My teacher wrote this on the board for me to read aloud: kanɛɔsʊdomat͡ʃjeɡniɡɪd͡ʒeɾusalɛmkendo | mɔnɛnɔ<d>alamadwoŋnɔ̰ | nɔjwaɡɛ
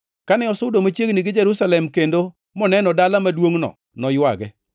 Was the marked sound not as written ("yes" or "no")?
no